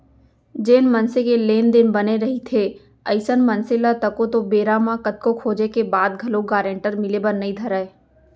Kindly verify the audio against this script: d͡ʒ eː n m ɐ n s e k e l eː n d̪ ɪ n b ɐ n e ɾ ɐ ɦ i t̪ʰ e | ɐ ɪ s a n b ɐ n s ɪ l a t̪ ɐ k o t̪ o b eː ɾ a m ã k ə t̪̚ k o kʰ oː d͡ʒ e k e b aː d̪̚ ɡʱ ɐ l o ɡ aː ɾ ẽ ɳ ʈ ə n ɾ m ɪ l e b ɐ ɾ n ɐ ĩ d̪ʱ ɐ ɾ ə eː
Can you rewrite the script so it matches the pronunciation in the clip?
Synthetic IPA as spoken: d͡ʒ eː n m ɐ n s e k e l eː n d̪ ɪ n b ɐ n e ɾ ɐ ɦ i t̪ʰ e | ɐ ɪ s ə n m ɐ n s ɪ l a t̪ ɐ k o t̪ o b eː ɾ a m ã k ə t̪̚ k o kʰ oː d͡ʒ e k e b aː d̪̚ ɡʱ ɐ l o ɡ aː ɾ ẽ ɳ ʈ ə ɾ m ɪ l e b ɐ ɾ n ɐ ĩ d̪ʱ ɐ ɾ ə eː